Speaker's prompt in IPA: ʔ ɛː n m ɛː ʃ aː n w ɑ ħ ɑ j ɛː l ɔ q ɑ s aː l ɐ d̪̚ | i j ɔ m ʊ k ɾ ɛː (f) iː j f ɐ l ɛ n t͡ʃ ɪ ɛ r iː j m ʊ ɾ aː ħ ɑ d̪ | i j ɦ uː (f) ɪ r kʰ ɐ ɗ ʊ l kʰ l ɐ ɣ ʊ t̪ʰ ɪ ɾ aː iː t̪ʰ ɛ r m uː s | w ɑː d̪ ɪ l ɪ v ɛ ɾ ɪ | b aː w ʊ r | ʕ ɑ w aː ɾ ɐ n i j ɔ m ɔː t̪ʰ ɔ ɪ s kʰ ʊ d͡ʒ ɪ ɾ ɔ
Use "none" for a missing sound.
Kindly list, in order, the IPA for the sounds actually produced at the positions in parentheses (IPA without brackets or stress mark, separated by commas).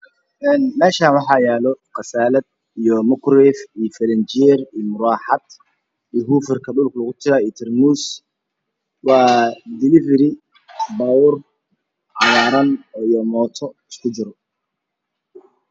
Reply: f, f